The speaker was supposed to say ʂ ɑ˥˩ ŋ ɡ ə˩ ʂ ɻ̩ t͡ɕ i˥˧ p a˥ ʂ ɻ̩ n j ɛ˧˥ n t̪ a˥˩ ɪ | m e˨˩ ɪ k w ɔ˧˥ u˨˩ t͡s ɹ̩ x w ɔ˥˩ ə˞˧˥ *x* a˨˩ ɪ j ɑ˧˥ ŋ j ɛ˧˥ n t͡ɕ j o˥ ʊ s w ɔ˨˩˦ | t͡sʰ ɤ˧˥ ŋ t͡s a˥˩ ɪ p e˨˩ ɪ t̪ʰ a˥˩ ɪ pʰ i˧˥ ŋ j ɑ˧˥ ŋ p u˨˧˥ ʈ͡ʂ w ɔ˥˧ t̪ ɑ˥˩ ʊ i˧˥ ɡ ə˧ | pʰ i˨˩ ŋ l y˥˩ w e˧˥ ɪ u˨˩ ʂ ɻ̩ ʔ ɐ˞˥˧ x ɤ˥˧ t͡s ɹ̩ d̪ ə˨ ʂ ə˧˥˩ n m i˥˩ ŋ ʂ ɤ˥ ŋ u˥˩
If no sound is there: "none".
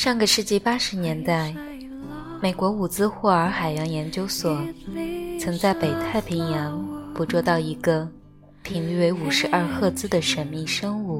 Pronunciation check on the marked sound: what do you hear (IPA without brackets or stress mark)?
x